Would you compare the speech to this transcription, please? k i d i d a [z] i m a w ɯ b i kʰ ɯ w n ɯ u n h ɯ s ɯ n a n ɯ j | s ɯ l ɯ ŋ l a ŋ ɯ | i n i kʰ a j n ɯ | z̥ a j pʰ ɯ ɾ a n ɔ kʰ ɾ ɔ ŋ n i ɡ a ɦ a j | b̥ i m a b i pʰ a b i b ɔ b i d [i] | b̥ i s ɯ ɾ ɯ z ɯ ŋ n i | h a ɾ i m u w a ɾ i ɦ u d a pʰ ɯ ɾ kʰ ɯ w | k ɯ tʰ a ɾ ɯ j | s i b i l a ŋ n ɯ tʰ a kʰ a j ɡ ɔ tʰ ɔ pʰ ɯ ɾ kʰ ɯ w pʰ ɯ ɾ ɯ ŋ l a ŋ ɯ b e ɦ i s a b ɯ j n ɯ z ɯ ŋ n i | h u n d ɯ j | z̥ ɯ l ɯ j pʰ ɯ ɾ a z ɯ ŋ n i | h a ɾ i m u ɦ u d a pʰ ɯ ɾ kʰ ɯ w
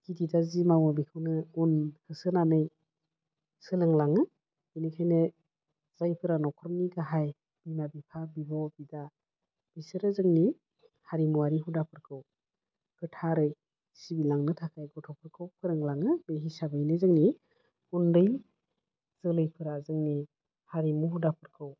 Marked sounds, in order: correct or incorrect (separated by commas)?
correct, incorrect